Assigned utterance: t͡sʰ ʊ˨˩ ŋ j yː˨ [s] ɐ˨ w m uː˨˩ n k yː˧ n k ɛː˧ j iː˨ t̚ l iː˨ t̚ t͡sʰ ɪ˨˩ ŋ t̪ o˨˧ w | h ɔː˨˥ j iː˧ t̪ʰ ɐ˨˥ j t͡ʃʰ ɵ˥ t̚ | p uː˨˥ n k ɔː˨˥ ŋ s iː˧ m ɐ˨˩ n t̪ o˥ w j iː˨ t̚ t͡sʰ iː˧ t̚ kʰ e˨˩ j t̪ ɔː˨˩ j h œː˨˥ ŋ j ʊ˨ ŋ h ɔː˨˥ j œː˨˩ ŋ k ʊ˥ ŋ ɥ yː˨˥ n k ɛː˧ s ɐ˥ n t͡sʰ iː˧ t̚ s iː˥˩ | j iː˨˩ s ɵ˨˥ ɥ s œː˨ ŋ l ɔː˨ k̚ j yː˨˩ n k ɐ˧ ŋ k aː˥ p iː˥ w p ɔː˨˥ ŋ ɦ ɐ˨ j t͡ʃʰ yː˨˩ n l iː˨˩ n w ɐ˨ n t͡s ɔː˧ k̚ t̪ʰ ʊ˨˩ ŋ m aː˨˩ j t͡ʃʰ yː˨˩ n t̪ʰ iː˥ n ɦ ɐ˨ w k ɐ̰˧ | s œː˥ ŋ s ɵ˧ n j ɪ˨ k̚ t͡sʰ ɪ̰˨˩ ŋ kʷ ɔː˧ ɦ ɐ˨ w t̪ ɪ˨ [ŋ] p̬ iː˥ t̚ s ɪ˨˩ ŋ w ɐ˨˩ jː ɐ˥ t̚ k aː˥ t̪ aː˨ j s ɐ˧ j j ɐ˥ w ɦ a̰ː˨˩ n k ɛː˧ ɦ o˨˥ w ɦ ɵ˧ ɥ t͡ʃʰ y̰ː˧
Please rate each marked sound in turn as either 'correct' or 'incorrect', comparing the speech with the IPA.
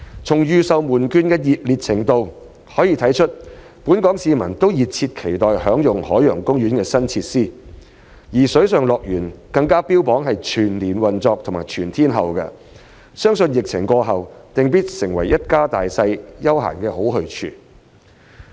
correct, correct

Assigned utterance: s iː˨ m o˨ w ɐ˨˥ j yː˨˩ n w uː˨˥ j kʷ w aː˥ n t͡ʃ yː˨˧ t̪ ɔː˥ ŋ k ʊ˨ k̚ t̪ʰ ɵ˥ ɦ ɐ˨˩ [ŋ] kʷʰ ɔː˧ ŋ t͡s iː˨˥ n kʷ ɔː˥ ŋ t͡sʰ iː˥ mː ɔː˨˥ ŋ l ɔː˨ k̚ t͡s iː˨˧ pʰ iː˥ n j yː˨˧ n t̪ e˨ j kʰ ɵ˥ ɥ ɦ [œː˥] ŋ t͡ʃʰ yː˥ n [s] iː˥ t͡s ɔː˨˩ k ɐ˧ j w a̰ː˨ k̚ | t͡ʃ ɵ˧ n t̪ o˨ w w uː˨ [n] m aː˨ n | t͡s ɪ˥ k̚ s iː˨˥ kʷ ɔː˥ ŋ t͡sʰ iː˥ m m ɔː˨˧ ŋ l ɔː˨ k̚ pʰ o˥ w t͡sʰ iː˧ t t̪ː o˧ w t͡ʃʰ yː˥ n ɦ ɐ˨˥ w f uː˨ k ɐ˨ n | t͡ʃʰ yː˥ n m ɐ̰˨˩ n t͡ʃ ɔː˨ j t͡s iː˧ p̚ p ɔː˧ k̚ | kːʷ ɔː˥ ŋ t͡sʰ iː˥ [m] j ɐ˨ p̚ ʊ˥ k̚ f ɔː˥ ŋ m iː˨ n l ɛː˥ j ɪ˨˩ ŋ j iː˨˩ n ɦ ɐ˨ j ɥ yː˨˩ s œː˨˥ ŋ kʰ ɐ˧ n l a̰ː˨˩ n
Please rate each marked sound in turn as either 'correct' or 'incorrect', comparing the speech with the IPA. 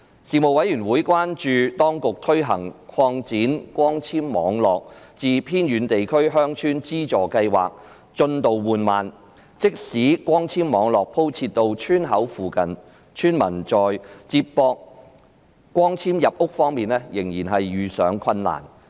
correct, correct, incorrect: t͡s, correct, correct

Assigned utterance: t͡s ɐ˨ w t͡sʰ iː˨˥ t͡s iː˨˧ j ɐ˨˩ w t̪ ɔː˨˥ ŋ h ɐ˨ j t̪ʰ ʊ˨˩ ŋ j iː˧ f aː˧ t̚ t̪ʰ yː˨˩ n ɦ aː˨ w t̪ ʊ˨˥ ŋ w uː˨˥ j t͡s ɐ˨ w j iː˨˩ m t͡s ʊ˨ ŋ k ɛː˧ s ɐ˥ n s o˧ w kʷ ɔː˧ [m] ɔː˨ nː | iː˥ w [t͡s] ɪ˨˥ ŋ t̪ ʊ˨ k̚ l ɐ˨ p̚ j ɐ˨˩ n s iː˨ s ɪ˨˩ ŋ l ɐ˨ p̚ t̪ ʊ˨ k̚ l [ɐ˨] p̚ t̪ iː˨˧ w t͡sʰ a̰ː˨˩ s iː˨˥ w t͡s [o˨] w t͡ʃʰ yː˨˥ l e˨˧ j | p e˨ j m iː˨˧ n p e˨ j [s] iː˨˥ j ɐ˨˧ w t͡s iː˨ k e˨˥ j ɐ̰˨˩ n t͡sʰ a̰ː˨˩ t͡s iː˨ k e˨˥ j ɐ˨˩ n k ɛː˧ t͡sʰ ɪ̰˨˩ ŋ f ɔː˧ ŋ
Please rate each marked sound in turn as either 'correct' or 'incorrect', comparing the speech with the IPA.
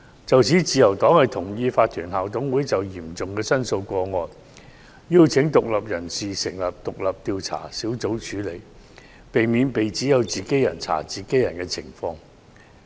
incorrect: ŋ, incorrect: t͡sʰ, correct, incorrect: o˨˥, incorrect: t͡s

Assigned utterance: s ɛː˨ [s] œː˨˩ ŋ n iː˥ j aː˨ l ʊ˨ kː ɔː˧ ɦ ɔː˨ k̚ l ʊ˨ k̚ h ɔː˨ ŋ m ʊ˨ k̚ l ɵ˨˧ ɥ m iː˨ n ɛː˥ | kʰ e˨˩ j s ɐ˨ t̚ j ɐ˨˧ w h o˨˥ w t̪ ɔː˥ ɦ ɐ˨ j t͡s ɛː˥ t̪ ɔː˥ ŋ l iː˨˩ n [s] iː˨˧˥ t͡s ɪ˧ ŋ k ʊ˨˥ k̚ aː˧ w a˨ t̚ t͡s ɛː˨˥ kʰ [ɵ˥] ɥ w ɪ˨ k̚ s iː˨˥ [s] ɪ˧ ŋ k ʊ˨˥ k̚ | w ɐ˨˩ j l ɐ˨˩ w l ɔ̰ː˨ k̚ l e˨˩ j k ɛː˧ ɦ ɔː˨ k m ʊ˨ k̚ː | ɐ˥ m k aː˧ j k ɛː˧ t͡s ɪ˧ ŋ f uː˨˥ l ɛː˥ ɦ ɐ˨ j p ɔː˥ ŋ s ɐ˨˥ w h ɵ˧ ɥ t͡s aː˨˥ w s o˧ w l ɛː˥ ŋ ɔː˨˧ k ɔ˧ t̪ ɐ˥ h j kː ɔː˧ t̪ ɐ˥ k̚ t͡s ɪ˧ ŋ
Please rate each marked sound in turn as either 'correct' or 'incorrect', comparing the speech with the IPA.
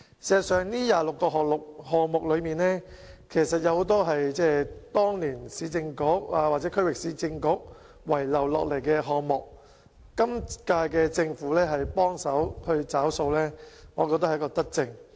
correct, correct, correct, incorrect: t͡s

